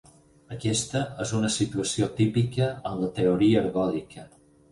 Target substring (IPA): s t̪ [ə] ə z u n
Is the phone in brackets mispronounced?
no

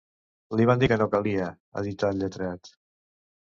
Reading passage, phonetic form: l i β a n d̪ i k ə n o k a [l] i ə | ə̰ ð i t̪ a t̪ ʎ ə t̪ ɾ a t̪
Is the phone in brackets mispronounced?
no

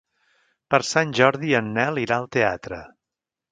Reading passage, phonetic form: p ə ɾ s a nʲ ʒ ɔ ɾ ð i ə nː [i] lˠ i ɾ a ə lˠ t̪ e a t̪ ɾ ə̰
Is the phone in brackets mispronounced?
yes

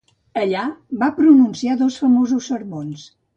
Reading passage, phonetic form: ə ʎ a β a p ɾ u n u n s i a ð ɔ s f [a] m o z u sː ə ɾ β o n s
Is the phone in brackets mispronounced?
yes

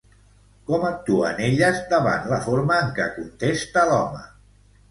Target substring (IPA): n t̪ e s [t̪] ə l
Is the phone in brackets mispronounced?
no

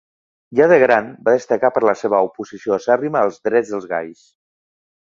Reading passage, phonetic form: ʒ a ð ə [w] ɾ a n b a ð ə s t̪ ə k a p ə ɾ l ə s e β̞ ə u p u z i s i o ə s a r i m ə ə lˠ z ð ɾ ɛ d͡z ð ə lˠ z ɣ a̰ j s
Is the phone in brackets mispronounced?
yes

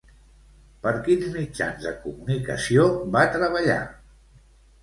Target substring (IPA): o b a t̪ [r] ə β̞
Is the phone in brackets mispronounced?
yes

